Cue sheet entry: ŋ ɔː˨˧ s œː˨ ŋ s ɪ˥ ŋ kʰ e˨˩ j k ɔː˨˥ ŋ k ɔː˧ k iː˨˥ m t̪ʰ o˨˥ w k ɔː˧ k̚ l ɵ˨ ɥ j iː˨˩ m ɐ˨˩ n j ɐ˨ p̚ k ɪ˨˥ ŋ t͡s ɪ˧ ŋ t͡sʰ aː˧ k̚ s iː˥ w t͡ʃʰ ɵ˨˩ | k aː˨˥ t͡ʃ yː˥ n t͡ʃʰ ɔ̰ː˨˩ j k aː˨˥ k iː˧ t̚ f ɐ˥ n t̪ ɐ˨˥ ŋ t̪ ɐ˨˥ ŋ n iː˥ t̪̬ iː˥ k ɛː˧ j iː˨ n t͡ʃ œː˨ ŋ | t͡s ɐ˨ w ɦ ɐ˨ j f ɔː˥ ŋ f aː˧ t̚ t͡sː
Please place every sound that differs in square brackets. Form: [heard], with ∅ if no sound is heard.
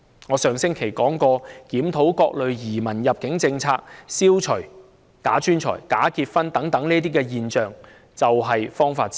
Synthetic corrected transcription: ŋ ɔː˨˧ s œː˨ ŋ s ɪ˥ ŋ kʰ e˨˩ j k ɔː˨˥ ŋ k ɔː˧ k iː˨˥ m t̪ʰ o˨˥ w k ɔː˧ k̚ l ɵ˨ ɥ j iː˨˩ m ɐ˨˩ n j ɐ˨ p̚ k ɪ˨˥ ŋ t͡s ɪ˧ ŋ t͡sʰ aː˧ k̚ s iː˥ w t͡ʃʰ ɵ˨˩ | k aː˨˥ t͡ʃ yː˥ n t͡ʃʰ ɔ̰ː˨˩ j k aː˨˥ k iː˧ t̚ f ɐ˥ n t̪ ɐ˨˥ ŋ t̪ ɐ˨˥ ŋ n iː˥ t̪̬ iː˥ k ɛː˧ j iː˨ n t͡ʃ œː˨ ŋ | t͡s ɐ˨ w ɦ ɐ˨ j f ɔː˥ ŋ f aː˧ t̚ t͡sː